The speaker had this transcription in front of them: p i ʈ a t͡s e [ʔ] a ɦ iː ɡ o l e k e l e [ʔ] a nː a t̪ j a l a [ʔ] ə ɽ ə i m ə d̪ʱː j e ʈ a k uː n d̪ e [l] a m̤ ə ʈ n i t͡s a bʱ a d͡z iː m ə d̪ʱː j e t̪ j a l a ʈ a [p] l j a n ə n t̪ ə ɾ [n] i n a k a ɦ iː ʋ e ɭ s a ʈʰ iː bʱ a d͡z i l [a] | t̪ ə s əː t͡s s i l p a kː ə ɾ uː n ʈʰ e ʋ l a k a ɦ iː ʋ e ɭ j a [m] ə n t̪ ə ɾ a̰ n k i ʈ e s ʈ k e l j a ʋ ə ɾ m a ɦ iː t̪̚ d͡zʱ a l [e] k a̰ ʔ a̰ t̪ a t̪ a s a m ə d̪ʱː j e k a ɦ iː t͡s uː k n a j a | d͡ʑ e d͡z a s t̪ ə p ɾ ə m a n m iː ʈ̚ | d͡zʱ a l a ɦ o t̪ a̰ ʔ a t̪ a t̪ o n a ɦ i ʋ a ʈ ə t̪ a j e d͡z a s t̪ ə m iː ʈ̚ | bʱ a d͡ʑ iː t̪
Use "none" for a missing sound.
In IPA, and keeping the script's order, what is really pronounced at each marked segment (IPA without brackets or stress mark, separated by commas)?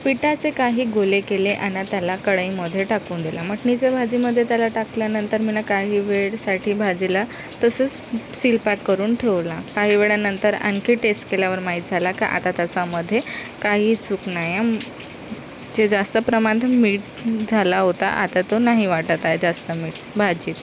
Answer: k, ʔ, k, l, k, m, a, n, a